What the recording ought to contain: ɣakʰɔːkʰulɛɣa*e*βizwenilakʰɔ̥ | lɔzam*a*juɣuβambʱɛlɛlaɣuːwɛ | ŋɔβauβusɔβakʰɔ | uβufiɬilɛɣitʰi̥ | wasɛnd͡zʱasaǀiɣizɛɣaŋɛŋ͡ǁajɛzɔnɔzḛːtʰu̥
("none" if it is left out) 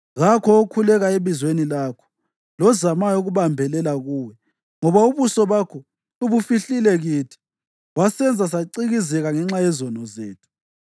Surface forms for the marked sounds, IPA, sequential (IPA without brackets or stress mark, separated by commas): e, a